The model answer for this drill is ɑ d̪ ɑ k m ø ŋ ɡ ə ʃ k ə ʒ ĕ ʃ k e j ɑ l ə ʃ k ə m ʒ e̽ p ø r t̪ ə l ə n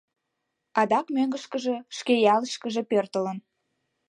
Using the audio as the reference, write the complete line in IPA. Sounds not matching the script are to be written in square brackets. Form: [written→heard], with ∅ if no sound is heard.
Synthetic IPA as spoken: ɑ d̪ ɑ k m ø ŋ ɡ ə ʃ k ə ʒ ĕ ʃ k e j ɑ l ə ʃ k ə [m→∅] ʒ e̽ p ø r t̪ ə l ə n